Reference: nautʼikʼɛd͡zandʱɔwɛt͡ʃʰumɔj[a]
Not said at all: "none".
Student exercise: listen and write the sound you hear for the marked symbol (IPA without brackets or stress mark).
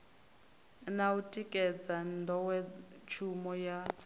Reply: a